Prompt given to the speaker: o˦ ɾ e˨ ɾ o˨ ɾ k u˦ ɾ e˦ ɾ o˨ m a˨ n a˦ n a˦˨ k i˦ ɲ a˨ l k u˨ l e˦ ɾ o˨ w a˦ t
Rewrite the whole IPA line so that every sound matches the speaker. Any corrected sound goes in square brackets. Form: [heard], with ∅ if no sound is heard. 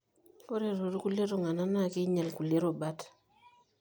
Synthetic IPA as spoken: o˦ ɾ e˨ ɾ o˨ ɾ k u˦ [l] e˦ ɾ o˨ [ŋ] a˨ n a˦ n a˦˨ k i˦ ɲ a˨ l k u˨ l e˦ ɾ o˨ [b] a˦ t